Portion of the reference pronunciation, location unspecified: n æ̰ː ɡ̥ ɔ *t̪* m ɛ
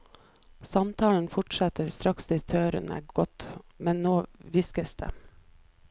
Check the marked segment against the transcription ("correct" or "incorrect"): correct